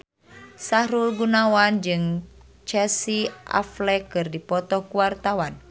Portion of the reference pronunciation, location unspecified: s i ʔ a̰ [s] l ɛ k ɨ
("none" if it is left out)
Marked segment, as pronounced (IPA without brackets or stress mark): f